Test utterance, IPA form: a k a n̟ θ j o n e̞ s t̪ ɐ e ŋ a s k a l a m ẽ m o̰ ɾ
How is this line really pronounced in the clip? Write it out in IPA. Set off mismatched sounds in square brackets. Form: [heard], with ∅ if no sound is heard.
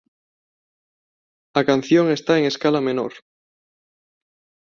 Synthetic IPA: a k a n̟ θ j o [ŋ] e̞ s t̪ [a] e ŋ [e] s k a l a m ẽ [n] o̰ ɾ

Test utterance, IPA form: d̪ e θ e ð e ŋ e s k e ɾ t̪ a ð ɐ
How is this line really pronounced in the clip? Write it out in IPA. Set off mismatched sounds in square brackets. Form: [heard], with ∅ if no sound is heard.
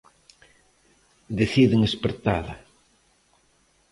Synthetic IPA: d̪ e θ [i] ð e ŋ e s [p] e ɾ t̪ a ð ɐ

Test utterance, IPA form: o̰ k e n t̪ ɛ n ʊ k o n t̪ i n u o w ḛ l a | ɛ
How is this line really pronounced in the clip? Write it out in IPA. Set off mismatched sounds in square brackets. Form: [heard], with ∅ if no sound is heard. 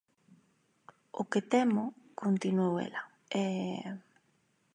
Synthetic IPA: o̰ k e [∅] t̪ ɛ [m] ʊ k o n t̪ i n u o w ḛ l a | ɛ

